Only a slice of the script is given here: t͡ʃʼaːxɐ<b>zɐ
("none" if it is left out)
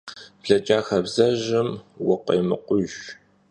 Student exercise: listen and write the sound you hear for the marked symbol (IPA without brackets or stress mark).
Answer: b